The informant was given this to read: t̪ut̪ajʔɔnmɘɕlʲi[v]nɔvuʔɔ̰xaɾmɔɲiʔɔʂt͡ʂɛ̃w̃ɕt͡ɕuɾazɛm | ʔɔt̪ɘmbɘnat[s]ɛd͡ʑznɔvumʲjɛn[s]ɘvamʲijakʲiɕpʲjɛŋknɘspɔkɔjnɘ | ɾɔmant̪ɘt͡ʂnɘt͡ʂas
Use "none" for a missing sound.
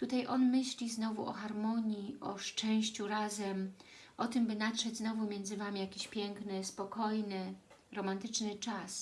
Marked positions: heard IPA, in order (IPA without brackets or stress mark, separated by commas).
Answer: z, ʂ, z